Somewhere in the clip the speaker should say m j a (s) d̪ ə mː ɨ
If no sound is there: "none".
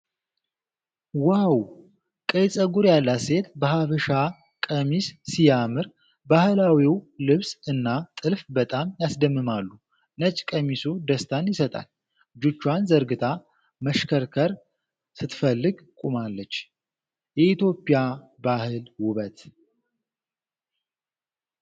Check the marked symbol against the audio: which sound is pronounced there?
s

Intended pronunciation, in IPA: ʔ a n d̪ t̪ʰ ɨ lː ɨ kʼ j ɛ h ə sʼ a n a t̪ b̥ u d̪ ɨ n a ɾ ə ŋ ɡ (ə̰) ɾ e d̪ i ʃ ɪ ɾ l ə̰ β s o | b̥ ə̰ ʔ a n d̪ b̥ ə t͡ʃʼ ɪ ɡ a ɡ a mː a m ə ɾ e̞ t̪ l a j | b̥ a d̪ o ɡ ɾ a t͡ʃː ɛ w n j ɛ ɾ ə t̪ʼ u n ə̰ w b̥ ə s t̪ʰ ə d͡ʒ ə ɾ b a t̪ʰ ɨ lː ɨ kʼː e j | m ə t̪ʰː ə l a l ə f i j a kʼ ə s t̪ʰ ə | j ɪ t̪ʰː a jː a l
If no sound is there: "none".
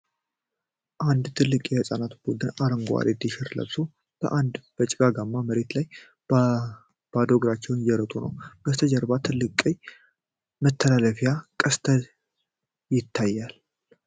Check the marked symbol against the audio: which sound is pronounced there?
a̰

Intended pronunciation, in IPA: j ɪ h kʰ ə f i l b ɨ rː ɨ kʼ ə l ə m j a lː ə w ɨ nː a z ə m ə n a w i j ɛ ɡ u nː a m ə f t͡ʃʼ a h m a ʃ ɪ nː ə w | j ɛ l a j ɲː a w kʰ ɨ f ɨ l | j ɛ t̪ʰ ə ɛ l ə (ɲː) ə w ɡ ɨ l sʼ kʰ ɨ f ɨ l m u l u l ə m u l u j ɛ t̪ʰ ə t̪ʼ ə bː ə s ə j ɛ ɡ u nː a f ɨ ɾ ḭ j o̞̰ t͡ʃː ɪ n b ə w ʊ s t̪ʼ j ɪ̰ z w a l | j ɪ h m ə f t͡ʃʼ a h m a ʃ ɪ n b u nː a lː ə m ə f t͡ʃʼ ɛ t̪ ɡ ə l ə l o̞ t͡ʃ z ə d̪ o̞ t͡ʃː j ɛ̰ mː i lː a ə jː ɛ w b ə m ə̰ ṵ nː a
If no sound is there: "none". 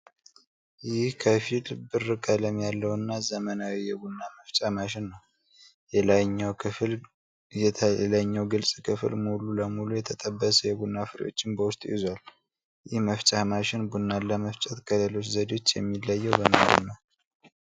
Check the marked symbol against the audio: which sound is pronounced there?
ɲː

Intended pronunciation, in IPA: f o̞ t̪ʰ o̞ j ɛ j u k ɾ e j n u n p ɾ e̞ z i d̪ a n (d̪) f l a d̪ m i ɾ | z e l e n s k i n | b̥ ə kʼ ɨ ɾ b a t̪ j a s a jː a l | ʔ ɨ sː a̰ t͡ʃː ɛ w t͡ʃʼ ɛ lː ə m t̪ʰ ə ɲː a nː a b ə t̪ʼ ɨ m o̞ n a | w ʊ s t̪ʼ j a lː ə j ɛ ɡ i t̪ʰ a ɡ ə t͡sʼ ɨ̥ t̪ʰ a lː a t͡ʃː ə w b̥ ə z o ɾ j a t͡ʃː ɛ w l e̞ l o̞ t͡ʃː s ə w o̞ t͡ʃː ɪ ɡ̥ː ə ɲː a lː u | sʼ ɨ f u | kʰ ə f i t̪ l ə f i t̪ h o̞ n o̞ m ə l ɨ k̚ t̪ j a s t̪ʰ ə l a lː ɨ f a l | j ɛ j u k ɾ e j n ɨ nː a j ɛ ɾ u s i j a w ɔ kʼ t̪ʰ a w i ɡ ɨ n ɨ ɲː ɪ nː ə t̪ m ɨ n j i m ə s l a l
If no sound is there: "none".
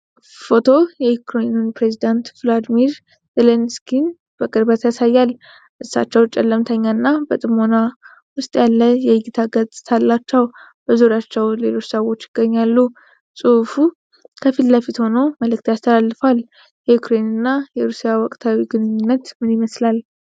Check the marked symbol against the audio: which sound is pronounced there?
t̪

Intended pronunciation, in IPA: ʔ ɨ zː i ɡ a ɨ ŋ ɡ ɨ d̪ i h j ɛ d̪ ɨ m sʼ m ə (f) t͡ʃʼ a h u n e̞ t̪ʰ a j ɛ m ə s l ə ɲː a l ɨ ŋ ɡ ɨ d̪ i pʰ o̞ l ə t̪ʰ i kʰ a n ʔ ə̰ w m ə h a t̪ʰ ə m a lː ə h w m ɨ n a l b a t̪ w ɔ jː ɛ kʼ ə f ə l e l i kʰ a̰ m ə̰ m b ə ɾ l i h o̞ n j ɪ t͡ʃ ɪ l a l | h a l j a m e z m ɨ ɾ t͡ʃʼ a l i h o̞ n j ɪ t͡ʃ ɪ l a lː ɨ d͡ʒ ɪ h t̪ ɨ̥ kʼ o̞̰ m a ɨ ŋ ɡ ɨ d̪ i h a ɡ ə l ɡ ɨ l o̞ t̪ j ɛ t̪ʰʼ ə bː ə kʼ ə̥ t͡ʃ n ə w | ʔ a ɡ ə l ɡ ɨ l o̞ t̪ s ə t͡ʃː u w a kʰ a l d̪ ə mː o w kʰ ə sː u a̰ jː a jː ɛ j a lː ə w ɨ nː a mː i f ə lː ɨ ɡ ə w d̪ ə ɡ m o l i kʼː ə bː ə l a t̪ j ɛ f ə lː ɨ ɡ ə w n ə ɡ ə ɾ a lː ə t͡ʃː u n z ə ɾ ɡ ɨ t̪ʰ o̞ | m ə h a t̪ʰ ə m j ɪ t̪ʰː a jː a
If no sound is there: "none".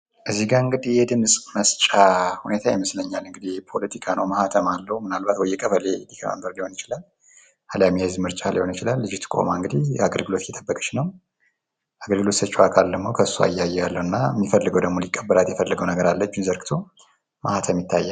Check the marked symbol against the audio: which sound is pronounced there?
s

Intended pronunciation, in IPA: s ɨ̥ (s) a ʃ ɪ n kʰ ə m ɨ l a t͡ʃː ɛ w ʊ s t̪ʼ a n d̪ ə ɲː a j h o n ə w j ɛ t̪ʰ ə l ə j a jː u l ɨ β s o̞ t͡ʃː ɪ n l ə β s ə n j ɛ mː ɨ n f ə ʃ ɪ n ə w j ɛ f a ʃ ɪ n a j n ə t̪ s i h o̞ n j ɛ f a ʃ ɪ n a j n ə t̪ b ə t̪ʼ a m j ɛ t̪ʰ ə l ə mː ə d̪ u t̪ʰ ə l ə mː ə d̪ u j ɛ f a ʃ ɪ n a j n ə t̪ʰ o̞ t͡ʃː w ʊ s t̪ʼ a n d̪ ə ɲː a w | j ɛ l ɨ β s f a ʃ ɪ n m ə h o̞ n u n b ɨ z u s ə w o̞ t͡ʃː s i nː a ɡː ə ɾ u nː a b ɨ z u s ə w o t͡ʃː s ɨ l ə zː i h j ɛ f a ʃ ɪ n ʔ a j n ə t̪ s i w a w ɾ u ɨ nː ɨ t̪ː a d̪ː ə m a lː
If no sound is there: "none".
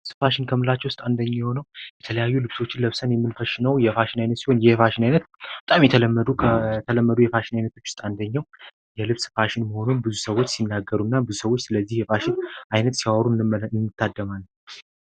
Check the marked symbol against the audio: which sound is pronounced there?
f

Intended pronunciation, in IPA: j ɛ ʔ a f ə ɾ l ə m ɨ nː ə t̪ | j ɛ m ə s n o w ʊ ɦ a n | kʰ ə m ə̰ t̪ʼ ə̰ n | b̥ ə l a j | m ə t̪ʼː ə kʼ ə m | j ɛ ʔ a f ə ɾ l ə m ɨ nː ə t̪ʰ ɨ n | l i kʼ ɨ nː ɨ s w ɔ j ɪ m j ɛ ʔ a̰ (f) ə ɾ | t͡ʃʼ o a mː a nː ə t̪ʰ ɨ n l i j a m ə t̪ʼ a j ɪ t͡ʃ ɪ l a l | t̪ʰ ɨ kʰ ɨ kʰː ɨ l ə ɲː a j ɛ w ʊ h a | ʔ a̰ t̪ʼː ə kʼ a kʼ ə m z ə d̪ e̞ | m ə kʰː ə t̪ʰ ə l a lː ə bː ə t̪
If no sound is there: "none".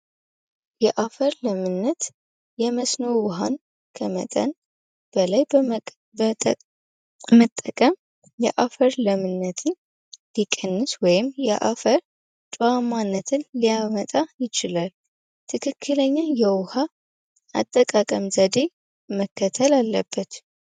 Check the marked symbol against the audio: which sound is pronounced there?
f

